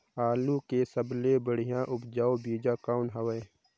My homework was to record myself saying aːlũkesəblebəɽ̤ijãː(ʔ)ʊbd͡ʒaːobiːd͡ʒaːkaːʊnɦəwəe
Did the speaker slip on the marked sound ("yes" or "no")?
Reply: no